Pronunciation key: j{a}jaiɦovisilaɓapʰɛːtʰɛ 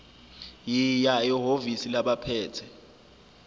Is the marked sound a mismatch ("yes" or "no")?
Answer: yes